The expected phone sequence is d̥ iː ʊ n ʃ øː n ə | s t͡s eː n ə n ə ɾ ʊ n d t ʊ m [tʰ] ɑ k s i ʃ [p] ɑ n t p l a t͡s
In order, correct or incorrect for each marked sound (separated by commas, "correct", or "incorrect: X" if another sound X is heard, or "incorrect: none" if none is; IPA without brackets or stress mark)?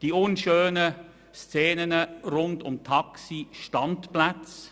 correct, incorrect: t